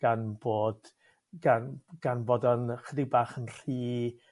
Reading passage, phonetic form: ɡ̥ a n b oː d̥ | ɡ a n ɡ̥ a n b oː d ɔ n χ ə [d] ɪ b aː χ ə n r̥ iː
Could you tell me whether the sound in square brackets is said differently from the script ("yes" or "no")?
no